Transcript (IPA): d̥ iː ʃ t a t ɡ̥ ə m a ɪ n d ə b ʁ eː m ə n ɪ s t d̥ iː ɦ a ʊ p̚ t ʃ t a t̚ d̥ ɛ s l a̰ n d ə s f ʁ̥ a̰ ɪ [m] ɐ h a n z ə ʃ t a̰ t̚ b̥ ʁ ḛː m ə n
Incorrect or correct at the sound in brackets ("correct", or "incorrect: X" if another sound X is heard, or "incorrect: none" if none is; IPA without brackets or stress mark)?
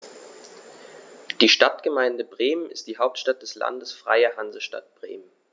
incorrect: none